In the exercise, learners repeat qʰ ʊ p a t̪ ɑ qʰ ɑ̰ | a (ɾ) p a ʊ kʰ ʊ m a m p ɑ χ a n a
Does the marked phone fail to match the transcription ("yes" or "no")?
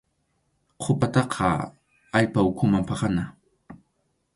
yes